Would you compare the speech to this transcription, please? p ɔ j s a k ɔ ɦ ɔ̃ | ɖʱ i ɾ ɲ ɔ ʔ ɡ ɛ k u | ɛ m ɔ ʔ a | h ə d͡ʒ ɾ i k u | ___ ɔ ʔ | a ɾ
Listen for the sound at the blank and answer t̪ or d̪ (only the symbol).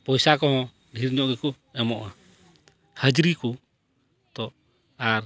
t̪